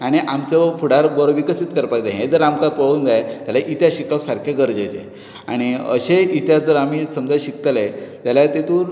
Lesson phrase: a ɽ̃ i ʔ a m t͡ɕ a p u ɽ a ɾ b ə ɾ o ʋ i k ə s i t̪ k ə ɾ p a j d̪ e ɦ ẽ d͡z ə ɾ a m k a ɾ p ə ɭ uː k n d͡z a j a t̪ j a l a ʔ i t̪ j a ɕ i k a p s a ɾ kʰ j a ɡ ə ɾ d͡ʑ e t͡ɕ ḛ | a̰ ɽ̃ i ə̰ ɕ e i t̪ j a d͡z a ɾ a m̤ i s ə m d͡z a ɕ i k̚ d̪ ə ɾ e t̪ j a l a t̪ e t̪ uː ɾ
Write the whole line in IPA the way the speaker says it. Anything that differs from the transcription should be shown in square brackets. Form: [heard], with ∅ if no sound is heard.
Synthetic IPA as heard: a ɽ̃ i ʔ a m t͡ɕ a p u ɽ a ɾ b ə ɾ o ʋ i k ə s i t̪ k ə ɾ p a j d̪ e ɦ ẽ d͡z ə ɾ a m k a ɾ p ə ɭ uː [∅] n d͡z a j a t̪ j a l a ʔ i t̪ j a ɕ i k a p s a ɾ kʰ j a ɡ ə ɾ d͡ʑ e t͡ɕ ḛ | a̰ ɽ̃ i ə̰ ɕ e i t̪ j a d͡z [ə] ɾ a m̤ i s ə m d͡z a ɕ i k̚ [t̪] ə [l] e t̪ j a l a t̪ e t̪ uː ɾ